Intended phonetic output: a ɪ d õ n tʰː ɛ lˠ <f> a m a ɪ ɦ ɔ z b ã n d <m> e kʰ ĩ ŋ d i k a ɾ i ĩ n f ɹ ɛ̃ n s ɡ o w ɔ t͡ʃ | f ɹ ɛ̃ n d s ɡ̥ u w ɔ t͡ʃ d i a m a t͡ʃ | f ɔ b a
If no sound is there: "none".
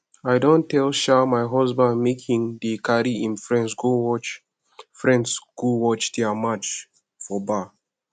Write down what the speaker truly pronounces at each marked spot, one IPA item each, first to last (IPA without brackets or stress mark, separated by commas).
ʃ, m